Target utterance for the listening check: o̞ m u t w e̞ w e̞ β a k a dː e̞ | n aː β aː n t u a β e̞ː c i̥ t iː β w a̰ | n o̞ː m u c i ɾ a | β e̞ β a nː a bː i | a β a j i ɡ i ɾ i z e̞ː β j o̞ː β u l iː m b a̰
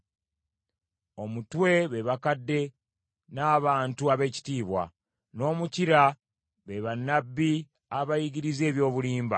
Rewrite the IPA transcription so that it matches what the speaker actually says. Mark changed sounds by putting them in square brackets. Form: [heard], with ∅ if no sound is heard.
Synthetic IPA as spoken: o̞ m u t w e̞ [β] e̞ β a k a dː e̞ | n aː β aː n t u a β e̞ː c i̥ t iː β w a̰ | n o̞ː m u c i ɾ a | β e̞ β a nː a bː i | a β a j i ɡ i ɾ i z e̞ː β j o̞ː β u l iː m b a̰

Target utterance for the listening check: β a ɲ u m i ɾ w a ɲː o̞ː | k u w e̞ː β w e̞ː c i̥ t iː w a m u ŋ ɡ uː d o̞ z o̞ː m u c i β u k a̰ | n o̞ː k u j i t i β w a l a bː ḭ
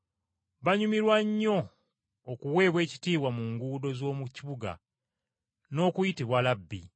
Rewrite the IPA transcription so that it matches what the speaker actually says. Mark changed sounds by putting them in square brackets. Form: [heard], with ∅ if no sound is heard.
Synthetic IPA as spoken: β a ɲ u m i ɾ w a ɲː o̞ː | k u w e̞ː β w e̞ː c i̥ t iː w a m u ŋ ɡ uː d o̞ z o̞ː m u c i β u [ɡ] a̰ | n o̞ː k u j i t i β w a l a bː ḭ

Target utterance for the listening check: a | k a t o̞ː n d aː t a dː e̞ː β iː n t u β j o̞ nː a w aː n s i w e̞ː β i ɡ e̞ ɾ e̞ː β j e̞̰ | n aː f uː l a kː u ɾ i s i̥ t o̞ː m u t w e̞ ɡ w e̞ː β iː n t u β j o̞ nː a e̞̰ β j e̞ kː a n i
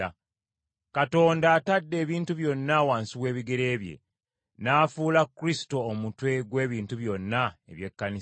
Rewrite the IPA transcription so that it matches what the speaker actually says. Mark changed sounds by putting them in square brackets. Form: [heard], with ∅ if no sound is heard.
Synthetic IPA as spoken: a | k a t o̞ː n d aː t a dː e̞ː β iː n t u β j o̞ nː a w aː n s i w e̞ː β i ɡ e̞ ɾ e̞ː β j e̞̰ | n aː f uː l a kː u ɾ i s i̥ t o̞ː m u t w e̞ ɡ w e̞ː β iː n t u β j o̞ nː a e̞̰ β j e̞ kː a n i

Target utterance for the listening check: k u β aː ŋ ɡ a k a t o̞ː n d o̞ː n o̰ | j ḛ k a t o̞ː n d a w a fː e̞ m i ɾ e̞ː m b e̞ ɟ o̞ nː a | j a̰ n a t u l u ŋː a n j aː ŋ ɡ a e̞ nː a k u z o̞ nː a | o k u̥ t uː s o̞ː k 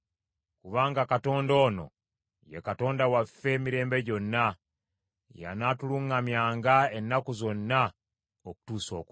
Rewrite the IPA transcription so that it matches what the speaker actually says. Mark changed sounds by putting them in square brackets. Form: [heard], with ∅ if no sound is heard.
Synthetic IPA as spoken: k u β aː ŋ ɡ a k a t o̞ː n d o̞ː n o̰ | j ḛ k a t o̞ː n d a w a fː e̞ m i ɾ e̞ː m b e̞ ɟ o̞ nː a | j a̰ n a t u l u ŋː a [m] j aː ŋ ɡ a e̞ nː a k u z o̞ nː a | o k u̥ t uː s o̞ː k

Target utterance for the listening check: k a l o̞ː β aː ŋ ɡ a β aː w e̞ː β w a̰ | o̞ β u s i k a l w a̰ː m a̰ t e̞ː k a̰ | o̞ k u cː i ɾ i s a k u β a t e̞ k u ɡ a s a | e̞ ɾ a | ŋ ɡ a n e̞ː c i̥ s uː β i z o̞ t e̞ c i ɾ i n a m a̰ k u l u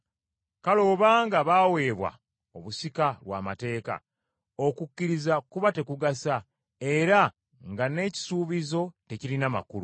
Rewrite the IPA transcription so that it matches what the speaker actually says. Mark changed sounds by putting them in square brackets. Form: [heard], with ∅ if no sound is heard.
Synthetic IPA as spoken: k a l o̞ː β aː ŋ ɡ a β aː w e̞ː β w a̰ | o̞ β u s i k a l w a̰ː m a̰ t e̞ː k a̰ | o̞ k u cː i ɾ i [z] a k u β a t e̞ k u ɡ a s a | e̞ ɾ a | ŋ ɡ a n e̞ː c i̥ s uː β i z o̞ t e̞ c i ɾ i n a m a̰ k u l u

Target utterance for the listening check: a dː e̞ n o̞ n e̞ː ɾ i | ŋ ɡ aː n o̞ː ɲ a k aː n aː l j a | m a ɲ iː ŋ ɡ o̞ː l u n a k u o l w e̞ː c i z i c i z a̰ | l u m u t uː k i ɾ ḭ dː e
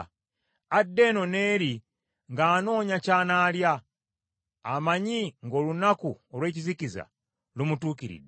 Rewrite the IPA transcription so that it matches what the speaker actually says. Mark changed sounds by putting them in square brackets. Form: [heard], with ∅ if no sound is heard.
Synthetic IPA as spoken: a dː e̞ n o̞ n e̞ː ɾ i | ŋ ɡ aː n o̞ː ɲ a [c] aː n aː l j a | m a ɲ [i] ŋ ɡ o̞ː l u n a k u o l w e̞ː c i z i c i z a̰ | l u m u t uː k i ɾ ḭ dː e

